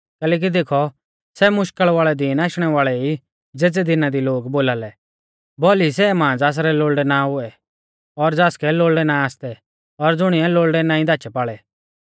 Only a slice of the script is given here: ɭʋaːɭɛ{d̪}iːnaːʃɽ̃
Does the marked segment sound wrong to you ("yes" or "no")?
no